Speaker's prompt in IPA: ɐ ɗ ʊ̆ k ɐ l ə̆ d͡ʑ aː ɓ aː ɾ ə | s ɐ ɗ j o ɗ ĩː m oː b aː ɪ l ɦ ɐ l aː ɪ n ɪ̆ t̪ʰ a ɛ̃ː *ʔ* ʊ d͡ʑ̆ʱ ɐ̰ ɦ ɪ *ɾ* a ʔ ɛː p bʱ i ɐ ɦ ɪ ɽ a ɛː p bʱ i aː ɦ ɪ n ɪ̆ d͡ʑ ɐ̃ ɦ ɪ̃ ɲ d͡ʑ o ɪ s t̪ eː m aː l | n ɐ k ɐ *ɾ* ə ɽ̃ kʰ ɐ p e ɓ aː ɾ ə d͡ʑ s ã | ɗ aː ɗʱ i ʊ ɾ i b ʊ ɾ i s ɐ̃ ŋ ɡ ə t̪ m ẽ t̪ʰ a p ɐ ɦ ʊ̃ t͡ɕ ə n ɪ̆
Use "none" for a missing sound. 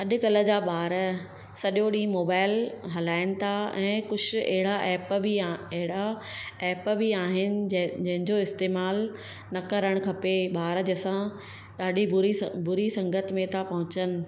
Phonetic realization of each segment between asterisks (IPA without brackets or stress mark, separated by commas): k, ɽ, ɾ